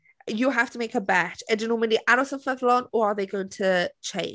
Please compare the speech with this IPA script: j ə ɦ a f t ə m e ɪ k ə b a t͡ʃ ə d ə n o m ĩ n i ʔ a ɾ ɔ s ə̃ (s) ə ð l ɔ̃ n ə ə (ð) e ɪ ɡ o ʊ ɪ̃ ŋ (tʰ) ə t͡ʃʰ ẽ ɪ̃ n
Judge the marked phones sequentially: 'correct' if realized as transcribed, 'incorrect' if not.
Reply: incorrect: f, correct, correct

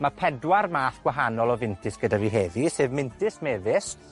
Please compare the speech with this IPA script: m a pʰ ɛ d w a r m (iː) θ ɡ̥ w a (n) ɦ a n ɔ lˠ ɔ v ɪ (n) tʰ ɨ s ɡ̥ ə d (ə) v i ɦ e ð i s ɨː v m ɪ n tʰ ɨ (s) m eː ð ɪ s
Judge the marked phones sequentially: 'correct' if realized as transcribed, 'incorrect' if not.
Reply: incorrect: aː, incorrect: none, correct, incorrect: a, correct

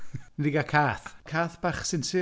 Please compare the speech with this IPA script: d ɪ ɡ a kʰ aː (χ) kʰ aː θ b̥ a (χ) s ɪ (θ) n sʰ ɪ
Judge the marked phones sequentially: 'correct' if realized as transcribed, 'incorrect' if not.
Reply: incorrect: θ, correct, incorrect: none

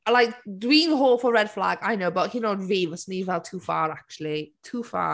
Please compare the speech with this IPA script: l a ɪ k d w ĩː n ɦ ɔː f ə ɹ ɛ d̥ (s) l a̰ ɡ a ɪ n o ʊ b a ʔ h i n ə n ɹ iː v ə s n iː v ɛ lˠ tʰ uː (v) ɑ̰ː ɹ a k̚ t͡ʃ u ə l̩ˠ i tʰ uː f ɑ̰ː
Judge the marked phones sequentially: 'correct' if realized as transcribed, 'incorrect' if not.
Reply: incorrect: f, incorrect: f

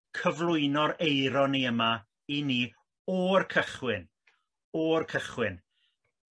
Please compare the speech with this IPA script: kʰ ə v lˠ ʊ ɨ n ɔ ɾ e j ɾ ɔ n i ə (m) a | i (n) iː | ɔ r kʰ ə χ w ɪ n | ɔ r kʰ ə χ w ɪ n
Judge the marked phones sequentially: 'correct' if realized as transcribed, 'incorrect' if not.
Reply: correct, correct

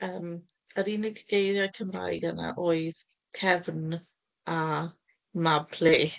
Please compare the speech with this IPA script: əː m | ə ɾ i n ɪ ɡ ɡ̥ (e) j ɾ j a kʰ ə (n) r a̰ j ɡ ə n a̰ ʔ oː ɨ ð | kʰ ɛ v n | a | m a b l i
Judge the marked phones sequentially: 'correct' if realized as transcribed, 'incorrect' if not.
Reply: correct, incorrect: m

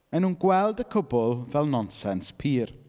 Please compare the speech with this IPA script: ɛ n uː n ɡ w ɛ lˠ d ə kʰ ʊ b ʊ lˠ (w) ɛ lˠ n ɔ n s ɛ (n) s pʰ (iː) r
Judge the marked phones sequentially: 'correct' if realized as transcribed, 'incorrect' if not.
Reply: incorrect: v, correct, correct

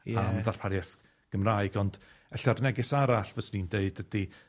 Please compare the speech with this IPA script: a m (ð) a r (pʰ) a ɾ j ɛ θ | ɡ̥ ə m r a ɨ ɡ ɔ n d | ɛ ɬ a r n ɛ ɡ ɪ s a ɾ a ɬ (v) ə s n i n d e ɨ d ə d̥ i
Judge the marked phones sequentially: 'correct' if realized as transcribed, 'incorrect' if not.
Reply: correct, correct, correct

